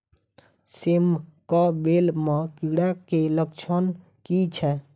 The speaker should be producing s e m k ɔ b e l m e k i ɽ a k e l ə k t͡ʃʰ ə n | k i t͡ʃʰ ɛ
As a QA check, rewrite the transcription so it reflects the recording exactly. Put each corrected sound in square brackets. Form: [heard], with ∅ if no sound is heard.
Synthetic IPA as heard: s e m k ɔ b e l m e k i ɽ a k e l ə k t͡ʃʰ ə n | k i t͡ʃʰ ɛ